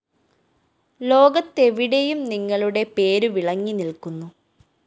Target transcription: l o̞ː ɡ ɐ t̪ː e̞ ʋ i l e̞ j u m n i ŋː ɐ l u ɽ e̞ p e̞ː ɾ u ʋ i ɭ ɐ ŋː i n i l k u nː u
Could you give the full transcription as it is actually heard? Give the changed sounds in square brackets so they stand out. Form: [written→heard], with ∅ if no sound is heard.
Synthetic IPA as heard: l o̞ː ɡ ɐ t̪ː e̞ ʋ i [l→ɽ] e̞ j u m n i ŋː ɐ [l→ɭ] u ɽ e̞ p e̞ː ɾ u ʋ i ɭ ɐ ŋː i n i l k u nː u